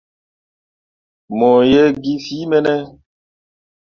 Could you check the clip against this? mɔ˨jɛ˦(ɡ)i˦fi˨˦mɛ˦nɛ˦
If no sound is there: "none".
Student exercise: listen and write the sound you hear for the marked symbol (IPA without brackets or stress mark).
ɡ